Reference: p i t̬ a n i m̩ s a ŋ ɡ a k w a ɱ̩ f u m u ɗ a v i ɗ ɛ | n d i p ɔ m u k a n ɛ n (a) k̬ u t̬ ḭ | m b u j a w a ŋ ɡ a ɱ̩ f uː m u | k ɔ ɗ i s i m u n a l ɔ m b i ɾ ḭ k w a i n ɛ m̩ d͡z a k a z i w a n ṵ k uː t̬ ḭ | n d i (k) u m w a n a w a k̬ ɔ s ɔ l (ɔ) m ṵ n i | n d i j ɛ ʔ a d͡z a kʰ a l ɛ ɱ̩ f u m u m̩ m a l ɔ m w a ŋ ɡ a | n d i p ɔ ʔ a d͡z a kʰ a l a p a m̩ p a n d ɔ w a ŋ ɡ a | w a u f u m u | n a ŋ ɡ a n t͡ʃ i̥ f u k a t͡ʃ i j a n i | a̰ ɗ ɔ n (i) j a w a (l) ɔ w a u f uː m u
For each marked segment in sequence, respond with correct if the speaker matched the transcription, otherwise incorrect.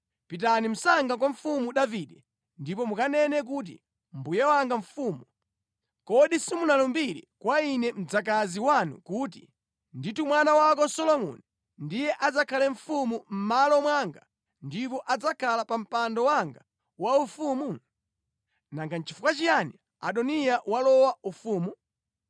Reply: incorrect: ɛ, incorrect: t, correct, correct, correct

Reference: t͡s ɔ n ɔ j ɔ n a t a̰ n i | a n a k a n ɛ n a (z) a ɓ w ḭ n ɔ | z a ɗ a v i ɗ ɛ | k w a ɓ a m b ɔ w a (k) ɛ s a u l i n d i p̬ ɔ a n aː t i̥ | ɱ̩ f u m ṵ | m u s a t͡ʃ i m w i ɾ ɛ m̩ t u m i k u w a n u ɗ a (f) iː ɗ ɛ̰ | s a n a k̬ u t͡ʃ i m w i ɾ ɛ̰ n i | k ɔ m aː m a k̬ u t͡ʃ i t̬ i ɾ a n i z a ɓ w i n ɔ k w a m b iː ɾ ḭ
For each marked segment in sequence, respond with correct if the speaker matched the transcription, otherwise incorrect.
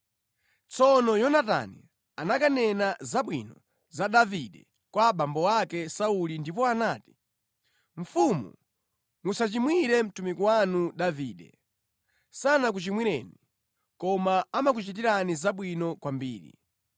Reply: correct, correct, incorrect: v

